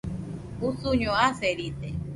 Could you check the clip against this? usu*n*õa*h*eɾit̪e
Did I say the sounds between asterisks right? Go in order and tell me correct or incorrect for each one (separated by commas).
incorrect, incorrect